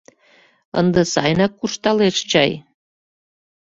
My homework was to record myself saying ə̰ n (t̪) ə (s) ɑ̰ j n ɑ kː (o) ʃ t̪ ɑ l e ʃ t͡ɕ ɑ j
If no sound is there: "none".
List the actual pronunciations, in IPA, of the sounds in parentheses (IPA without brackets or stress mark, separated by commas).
d̪, s, u